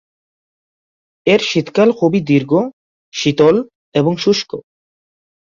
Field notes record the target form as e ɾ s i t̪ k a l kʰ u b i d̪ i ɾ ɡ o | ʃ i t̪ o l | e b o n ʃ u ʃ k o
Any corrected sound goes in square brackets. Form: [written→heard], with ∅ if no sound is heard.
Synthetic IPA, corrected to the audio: e ɾ [s→ʃ] i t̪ k a l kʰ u b i d̪ i ɾ ɡ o | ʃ i t̪ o l | e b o [n→ŋ] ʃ u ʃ k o